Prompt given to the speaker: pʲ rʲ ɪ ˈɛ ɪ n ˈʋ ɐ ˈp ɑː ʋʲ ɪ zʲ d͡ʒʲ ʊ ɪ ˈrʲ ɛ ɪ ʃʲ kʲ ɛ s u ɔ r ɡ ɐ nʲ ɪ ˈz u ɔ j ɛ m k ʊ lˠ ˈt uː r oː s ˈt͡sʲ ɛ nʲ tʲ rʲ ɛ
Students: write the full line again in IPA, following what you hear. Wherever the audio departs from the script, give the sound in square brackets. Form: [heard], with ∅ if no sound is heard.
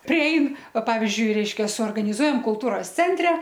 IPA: pʲ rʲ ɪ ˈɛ ɪ n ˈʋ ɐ ˈp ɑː ʋʲ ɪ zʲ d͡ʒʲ ʊ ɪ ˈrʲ ɛ ɪ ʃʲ kʲ ɛ s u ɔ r ɡ ɐ nʲ ɪ ˈz u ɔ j ɛ m k ʊ lˠ ˈt uː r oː s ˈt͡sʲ ɛ nʲ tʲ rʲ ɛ